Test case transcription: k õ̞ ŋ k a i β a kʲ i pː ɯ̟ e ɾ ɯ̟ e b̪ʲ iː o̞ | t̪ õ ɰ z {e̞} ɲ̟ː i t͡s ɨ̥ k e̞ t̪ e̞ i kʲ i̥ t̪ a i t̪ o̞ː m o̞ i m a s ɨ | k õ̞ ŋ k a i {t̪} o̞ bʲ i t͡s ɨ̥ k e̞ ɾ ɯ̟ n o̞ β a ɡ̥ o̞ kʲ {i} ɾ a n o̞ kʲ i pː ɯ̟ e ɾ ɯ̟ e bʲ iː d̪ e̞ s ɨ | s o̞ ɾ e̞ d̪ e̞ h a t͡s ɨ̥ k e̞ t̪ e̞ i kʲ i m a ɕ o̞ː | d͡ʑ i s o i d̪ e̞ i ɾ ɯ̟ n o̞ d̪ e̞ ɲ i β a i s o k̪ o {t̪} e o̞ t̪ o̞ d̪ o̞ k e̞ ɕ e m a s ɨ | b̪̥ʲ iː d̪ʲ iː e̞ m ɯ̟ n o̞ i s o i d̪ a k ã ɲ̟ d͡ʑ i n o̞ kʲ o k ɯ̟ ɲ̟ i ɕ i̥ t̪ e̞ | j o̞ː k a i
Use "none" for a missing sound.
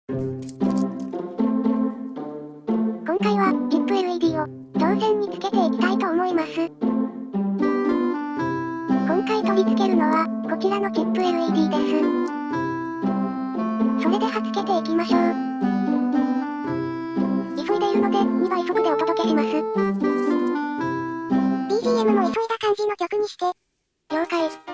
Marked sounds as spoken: ẽ̞, t̪, i, d̪

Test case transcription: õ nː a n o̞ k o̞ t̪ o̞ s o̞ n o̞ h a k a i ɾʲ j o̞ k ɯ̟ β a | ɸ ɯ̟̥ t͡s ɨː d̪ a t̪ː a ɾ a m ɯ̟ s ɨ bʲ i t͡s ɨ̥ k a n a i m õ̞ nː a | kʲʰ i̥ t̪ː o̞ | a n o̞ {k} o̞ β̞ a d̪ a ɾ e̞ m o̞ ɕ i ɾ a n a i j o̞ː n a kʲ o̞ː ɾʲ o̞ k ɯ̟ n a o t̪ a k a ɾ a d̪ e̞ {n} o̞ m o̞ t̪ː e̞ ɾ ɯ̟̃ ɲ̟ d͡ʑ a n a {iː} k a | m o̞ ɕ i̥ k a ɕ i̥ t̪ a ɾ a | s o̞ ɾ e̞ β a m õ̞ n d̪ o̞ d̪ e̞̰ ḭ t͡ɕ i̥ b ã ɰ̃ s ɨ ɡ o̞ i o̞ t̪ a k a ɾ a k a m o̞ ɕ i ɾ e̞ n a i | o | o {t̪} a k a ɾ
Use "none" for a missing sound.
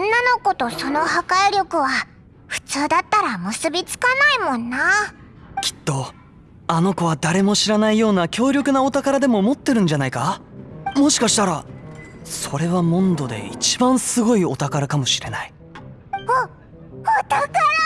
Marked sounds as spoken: k, m, i, t̪

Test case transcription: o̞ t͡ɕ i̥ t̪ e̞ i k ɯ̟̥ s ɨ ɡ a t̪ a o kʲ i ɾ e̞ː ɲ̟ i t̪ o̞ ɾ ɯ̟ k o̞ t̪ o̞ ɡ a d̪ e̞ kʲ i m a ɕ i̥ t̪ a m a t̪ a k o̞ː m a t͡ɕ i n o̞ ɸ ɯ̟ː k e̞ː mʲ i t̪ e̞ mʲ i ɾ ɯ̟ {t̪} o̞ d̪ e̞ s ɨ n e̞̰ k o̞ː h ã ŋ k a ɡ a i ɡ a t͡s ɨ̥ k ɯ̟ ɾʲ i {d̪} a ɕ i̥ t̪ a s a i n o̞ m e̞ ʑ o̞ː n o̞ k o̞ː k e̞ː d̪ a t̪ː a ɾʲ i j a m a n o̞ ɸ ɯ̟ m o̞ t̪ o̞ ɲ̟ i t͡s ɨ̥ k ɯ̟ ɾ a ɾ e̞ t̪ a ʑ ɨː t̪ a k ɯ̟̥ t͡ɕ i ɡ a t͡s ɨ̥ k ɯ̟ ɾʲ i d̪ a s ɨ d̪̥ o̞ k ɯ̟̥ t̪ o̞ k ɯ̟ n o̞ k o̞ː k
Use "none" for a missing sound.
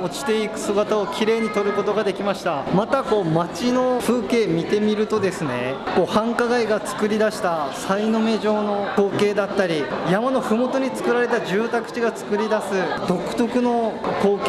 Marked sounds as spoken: t̪, d̪

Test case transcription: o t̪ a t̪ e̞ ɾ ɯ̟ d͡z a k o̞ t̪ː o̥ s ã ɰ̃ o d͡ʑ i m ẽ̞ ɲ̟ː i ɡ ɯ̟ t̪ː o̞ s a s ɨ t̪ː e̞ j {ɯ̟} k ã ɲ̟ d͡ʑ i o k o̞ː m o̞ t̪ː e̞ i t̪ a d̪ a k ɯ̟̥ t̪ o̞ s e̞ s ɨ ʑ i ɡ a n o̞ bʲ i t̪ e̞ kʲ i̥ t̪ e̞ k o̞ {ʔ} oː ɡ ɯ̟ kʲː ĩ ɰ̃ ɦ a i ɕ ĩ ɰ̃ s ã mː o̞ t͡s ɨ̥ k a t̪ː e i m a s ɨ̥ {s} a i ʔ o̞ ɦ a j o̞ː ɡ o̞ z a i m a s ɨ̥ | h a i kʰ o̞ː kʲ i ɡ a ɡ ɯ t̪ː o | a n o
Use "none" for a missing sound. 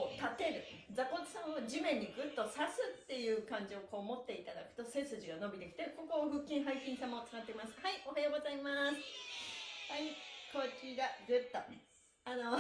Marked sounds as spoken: ɯ̟ː, k, h

